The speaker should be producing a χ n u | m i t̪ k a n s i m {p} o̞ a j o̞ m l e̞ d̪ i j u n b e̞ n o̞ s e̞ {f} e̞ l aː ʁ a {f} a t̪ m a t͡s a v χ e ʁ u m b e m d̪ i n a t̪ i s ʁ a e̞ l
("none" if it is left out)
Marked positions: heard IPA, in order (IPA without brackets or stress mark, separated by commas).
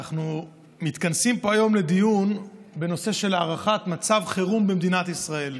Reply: p, ʃ, χ